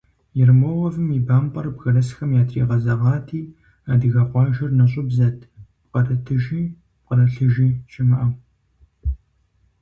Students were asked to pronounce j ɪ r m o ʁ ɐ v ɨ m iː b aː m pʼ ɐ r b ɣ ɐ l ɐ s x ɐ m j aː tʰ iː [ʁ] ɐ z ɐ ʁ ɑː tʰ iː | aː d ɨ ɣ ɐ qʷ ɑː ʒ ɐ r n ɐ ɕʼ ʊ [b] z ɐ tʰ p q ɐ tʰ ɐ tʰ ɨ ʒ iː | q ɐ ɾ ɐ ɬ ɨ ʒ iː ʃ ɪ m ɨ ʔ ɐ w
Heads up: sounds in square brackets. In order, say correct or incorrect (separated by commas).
correct, correct